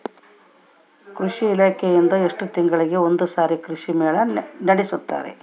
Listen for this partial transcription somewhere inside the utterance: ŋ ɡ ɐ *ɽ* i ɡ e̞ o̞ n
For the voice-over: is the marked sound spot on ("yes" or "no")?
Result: no